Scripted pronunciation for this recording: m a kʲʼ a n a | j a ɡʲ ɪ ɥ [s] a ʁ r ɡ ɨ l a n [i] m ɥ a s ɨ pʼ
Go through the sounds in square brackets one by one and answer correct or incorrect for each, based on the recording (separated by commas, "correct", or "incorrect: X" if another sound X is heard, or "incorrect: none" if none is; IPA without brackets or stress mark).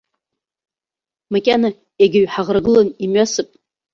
incorrect: ħ, correct